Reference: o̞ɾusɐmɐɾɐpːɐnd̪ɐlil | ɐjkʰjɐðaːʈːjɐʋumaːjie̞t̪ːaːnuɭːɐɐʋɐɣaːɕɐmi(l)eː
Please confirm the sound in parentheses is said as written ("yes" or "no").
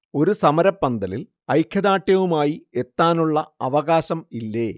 no